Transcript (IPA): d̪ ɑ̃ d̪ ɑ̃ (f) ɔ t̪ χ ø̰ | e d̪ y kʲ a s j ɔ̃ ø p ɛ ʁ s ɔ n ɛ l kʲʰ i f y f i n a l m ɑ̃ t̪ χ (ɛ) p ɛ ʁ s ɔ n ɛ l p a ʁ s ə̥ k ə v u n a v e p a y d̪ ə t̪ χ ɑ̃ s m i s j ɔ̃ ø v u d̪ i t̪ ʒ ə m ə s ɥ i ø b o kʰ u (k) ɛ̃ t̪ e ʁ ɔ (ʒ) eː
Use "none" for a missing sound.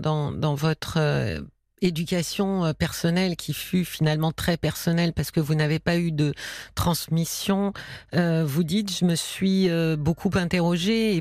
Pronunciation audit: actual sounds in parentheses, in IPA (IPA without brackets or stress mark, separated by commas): v, ɛ, p, ʒ